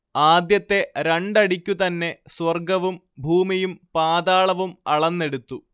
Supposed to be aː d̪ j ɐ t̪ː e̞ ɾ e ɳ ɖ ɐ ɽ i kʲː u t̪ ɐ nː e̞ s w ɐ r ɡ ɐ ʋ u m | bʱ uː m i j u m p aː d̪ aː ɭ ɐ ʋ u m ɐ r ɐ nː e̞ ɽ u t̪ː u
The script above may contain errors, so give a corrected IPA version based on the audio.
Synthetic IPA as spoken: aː d̪ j ɐ t̪ː e̞ ɾ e ɳ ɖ ɐ ɽ i kʲː u t̪ ɐ nː e̞ s w ɐ r ɡ ɐ ʋ u m | bʱ uː m i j u m p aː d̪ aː ɭ ɐ ʋ u m ɐ ɭ ɐ nː e̞ ɽ u t̪ː u